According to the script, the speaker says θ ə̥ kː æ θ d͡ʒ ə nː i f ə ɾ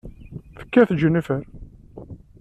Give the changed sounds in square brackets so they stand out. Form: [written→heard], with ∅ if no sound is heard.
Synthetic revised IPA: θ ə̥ kː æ θ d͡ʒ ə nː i f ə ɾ

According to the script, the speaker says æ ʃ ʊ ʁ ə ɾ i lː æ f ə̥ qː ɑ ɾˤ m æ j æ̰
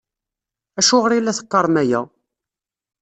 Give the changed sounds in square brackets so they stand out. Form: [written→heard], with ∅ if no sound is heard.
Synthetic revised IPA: æ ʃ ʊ ʁ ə ɾ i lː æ [f→θ] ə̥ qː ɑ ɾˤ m æ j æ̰

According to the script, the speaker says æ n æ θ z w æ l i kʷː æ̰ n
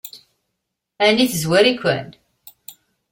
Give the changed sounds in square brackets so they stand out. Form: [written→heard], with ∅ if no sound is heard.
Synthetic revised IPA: æ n [æ→i] θ z w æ [l→ɾ] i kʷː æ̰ n

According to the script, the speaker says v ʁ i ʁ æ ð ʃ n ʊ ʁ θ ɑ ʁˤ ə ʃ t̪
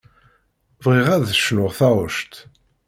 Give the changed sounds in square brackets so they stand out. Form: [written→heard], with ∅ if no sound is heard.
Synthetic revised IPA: v ʁ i ʁ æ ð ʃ n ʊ ʁ θ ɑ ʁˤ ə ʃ t̪

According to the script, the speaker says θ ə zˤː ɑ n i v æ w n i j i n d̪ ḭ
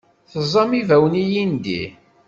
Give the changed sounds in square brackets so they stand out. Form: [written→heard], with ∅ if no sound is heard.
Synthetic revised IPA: θ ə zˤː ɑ [n→m] i v æ w n i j i n d̪ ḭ

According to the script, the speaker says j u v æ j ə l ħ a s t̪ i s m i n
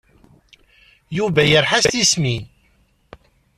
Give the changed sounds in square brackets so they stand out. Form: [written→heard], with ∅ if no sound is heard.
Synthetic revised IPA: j u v æ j ə [l→ɾ] ħ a s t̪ i s m i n

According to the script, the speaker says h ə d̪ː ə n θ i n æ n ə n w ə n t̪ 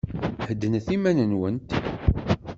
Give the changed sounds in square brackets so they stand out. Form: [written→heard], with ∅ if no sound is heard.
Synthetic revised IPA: h ə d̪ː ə n θ i [n→m] æ n ə n w ə n t̪

